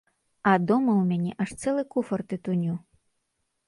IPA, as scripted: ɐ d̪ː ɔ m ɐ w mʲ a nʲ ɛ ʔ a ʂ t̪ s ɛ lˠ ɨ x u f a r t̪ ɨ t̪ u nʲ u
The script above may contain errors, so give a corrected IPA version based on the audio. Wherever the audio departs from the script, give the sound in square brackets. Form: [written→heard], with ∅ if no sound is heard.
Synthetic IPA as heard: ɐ [d̪ː→d̪] ɔ m ɐ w mʲ a nʲ ɛ ʔ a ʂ t̪ s ɛ lˠ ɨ [x→k] u f [a→ɐ] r t̪ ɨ t̪ u nʲ u